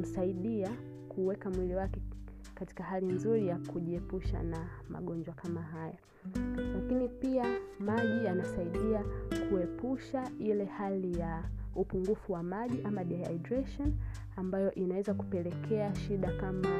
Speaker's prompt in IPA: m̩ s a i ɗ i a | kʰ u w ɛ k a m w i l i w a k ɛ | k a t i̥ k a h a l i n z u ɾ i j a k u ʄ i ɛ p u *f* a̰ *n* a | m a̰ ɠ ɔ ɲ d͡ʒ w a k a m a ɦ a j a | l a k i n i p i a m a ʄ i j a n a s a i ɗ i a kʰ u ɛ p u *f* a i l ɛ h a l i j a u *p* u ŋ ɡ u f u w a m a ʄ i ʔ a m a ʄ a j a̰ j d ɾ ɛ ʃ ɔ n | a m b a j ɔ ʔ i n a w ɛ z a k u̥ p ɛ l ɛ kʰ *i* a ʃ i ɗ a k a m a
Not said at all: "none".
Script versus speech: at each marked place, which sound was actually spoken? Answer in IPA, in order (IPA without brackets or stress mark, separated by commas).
ʃ, n, ʃ, p, ɛ